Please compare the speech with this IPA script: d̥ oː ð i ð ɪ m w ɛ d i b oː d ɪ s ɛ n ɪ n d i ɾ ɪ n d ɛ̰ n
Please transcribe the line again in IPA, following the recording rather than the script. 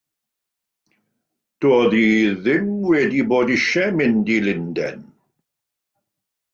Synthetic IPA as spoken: d̥ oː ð i ð ɪ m w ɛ d i b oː d ɪ ʃ ɛ m ɪ n d i l ɪ n d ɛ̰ n

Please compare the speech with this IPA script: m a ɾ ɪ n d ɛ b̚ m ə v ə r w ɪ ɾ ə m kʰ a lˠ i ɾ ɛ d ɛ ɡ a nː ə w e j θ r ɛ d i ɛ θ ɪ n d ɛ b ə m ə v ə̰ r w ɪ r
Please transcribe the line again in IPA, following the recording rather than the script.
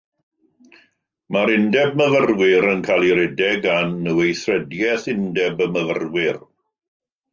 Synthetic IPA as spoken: m a ɾ ɪ n d ɛ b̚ m ə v ə r w ɪ ɾ ə n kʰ a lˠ i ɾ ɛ d ɛ ɡ a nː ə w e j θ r ɛ d j ɛ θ ɪ n d ɛ b ə m ə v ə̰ r w ɪ r

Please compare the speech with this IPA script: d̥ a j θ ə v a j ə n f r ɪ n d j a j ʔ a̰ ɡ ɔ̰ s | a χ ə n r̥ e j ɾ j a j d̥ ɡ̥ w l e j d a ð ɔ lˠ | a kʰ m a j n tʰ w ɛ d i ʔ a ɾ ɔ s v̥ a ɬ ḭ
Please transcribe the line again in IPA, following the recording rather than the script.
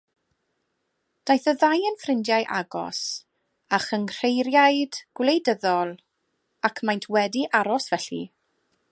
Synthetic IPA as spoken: d̥ a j θ ə ð a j ə n f r ɪ n d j a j ʔ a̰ ɡ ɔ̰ s | a χ ə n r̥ e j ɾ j a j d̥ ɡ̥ w l e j d ə ð ɔ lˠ | a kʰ m a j n tʰ w ɛ d i ʔ a ɾ ɔ s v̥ ɛ ɬ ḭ

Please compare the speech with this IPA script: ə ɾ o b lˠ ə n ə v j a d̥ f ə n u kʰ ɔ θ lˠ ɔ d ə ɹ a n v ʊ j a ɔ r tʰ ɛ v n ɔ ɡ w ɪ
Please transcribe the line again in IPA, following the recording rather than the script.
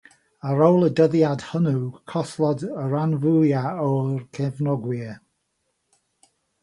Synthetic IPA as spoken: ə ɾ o w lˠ ə d ə ð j a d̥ h ə n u kʰ ɔ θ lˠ ɔ d ə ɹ a n v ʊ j a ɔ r kʰ ɛ v n ɔ ɡ w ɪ

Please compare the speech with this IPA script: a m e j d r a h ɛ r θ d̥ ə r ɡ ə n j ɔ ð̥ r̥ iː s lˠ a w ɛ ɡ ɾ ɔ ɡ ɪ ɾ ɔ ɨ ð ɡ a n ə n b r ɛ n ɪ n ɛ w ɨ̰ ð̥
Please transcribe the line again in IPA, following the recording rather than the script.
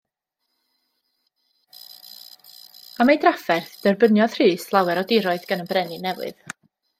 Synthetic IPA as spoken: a m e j d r a f ɛ r θ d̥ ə r b ə n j ɔ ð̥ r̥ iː s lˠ a w ɛ ɾ ɔ d ɪ ɾ ɔ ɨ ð ɡ a n ə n b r ɛ n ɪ n ɛ w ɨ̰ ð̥

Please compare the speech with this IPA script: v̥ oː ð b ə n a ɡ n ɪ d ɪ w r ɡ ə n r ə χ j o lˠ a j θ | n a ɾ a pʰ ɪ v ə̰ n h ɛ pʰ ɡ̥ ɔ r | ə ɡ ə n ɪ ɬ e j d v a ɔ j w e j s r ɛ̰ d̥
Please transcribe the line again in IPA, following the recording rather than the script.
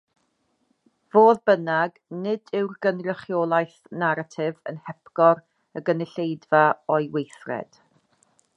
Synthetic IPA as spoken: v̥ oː ð b ə n a ɡ n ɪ d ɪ w r ɡ ə n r ə χ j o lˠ a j θ | n a ɾ a tʰ ɪ v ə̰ n h ɛ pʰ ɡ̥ ɔ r | ə ɡ ə n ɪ ɬ e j d v a ɔ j w e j θ r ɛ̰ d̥

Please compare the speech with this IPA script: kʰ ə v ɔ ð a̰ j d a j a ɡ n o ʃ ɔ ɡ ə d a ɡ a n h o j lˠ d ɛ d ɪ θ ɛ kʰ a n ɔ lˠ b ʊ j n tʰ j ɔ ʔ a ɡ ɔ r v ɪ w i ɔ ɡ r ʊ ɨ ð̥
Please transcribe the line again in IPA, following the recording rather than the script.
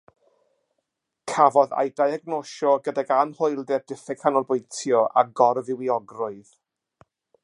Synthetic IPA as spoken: kʰ a v ɔ ð a̰ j d a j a ɡ n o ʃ ɔ ɡ ə d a ɡ a n h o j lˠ d ɛ d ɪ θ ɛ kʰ a n ɔ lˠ b ʊ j n tʰ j ɔ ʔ a ɡ ɔ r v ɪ w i ɔ ɡ r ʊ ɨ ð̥

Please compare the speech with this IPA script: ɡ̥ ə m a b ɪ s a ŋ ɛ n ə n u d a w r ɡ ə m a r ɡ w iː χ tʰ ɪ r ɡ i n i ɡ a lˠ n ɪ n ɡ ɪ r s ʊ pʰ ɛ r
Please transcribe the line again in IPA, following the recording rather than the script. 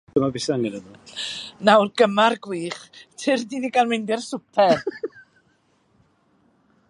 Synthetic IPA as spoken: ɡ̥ ə m a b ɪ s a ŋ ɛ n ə n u n a w r ɡ ə m a r ɡ w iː χ tʰ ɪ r d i n i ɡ a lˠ m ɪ n d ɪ r s ʊ pʰ ɛ r

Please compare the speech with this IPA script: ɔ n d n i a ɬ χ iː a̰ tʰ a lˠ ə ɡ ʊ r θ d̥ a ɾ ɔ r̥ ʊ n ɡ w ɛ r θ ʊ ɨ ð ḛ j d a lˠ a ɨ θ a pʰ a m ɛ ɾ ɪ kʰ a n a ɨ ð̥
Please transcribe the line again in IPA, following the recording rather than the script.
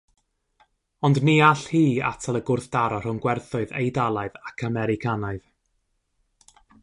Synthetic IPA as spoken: ɔ n d n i a ɬ h iː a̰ tʰ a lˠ ə ɡ ʊ r θ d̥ a ɾ ɔ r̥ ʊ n ɡ w ɛ r θ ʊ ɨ ð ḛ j d a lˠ a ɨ ð a kʰ a m ɛ ɾ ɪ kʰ a n a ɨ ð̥

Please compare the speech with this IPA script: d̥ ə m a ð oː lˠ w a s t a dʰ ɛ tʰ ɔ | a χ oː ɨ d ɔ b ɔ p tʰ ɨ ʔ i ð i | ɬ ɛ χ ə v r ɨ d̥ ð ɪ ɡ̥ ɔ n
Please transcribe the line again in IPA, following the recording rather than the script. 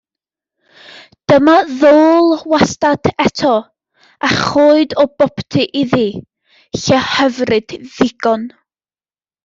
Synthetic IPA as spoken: d̥ ə m a ð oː lˠ w a s t a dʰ ɛ tʰ ɔ | a χ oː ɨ d ɔ b ɔ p tʰ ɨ ʔ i ð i | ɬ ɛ h ə v r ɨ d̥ ð ɪ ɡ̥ ɔ n

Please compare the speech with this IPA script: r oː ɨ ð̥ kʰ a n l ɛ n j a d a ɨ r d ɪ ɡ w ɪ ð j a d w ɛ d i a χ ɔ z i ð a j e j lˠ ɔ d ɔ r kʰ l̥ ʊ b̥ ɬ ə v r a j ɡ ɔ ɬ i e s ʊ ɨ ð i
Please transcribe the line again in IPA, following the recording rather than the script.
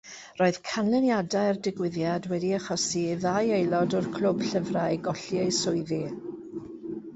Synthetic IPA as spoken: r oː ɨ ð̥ kʰ a n l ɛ n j a d a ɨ r d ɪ ɡ w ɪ ð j a d w ɛ d i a χ ɔ s i ð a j e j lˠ ɔ d ɔ r kʰ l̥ ʊ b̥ ɬ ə v r a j ɡ ɔ ɬ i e s ʊ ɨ ð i

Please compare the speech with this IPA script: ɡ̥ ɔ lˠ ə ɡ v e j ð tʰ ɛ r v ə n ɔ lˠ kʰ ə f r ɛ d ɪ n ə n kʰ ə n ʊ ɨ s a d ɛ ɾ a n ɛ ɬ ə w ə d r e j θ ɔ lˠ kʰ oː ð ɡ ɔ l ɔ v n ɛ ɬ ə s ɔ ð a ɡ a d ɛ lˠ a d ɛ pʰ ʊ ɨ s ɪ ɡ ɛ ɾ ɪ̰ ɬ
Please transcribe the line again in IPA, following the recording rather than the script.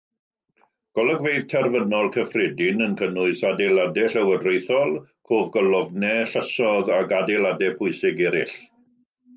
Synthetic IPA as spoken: ɡ̥ ɔ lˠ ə ɡ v e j ð tʰ ɛ r v ə n ɔ lˠ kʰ ə f r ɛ d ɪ n ə n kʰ ə n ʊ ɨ s a d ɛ l a d ɛ ɬ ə w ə d r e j θ ɔ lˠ kʰ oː v ɡ ɔ l ɔ v n ɛ ɬ ə s ɔ ð a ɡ a d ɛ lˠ a d ɛ pʰ ʊ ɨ s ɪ ɡ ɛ ɾ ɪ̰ ɬ

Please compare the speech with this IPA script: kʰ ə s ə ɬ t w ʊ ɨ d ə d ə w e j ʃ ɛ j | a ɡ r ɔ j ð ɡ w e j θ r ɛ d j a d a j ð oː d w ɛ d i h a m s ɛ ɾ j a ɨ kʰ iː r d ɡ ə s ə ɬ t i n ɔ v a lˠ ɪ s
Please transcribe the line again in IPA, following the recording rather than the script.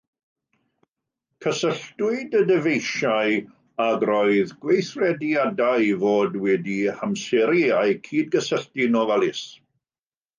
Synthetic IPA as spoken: kʰ ə s ə ɬ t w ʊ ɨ d ə d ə v e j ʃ a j | a ɡ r ɔ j ð ɡ w e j θ r ɛ d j a d a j v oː d w ɛ d i h a m s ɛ ɾ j a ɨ kʰ iː d ɡ ə s ə ɬ t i n ɔ v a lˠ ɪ s

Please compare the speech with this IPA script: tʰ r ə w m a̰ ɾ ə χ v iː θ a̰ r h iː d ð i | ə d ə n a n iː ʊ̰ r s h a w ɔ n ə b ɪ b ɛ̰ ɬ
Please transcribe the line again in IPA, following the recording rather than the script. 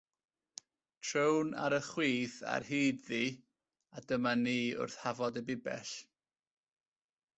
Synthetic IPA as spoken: tʰ r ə w n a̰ ɾ ə χ w iː θ a̰ r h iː d ð i | a d ə m a n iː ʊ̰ r θ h a v ɔ d ə b ɪ b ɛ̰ ɬ

